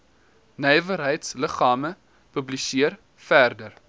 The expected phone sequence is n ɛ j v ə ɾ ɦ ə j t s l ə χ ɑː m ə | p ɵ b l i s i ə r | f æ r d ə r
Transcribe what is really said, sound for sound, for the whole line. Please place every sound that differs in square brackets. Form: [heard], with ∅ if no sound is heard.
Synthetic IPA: n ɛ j v ə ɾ ɦ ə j t s l ə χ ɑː m ə | p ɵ b l i s i ə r | f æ r d ə r